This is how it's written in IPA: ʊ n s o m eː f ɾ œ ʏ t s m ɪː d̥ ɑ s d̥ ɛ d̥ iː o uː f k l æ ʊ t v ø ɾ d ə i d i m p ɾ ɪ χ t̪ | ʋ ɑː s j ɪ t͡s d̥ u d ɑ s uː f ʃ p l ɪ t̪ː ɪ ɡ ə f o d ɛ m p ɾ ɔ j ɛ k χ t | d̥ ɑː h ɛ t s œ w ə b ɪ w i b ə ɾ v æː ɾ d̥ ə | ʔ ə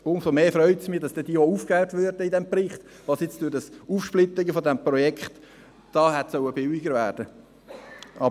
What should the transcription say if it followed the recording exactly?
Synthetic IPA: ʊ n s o m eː f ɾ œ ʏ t s m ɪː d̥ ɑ s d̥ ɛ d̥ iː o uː f k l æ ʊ t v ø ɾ d ə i d ɛ m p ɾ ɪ χ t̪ | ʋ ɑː s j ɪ t͡s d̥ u d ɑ s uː f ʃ p l ɪ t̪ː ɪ ɡ ə f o d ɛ m p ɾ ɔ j ɛ k χ t | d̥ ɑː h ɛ t s œ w ə b ɪ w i ɡ ə ɾ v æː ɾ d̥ ə | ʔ ɑ